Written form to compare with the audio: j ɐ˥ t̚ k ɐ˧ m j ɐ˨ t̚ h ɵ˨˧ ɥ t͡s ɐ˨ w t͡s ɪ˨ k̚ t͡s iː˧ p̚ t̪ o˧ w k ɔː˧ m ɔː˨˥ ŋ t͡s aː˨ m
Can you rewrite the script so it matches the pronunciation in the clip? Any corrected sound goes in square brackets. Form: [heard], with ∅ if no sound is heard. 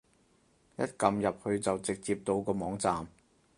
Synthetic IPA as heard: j ɐ˥ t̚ k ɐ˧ m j ɐ˨ [p̚] h ɵ˨˧ ɥ t͡s ɐ˨ w t͡s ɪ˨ k̚ t͡s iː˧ p̚ t̪ o˧ w k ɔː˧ m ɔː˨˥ ŋ t͡s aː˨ m